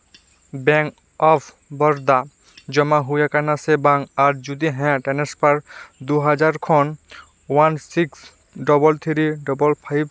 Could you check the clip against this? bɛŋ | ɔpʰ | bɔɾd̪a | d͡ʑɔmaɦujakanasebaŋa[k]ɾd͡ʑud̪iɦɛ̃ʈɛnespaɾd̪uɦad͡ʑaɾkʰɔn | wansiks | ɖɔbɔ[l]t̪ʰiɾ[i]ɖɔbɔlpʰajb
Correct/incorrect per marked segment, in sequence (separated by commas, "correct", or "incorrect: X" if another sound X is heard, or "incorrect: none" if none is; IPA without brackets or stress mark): incorrect: none, correct, correct